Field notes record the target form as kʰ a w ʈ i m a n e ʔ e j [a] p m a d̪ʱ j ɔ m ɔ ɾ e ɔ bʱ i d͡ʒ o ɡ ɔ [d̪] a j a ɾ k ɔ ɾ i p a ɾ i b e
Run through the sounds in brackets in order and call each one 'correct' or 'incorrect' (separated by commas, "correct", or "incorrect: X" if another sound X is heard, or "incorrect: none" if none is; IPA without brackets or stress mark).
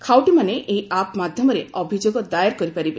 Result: correct, correct